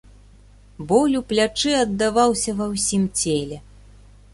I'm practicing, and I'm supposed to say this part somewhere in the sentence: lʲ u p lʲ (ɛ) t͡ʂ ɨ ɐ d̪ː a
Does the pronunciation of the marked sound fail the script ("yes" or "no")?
yes